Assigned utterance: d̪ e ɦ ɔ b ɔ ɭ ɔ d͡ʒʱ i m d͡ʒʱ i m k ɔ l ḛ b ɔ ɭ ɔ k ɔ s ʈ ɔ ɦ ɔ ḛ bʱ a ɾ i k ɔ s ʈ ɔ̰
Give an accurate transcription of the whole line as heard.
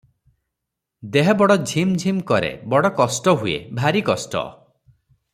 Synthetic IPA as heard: d̪ e ɦ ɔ b ɔ ɽ ɔ d͡ʒʱ i m d͡ʒʱ i m k ɔ ɾ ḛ b ɔ ɽ ɔ k ɔ s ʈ ɔ ɦ u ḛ bʱ a ɾ i k ɔ s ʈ ɔ̰

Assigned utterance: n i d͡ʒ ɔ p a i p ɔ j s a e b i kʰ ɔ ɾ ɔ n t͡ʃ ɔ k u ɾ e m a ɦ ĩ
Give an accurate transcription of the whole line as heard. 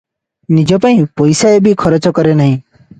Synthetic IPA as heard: n i d͡ʒ ɔ p a ĩ p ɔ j s a e b i kʰ ɔ ɾ ɔ t͡ʃ ɔ k ɔ ɾ e n a ɦ ĩ

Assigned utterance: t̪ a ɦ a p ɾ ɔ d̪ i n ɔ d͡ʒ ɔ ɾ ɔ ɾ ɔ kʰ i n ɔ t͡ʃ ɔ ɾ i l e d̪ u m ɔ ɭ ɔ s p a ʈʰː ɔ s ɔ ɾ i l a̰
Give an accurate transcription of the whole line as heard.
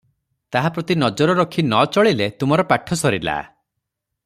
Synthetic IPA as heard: t̪ a ɦ a p ɾ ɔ t̪ i n ɔ d͡ʒ ɔ ɾ ɔ ɾ ɔ kʰ i n ɔ t͡ʃ ɔ ɭ i l e t̪ u m ɔ ɾ ɔ p a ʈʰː ɔ s ɔ ɾ i l a̰

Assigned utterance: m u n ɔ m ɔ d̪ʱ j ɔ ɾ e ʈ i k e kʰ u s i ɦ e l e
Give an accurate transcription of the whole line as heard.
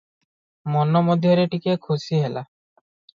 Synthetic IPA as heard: m ɔ n ɔ m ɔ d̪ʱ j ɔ ɾ e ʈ i k e kʰ u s i ɦ e l a

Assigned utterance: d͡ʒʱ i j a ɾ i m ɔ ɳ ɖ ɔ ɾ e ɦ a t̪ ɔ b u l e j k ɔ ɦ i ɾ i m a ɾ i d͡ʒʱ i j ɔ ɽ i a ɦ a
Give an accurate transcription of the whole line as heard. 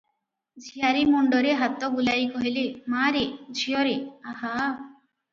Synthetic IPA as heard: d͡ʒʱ i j a ɾ i m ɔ ɳ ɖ ɔ ɾ e ɦ a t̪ ɔ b u l a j k ɔ ɦ i l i m a ɾ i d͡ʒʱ i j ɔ ɾ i a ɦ a

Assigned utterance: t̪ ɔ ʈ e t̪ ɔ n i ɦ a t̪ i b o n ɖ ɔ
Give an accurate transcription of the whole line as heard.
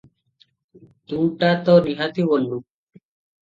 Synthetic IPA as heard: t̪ u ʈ a t̪ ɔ n i ɦ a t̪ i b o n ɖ u

